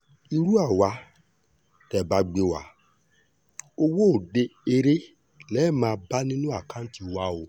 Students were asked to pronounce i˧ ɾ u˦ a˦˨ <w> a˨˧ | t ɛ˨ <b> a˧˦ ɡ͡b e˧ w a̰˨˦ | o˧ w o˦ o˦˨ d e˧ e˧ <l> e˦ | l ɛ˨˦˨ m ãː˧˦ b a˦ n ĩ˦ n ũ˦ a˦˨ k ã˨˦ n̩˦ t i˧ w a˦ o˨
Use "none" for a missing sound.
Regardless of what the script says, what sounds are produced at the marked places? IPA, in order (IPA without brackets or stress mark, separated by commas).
w, b, ɾ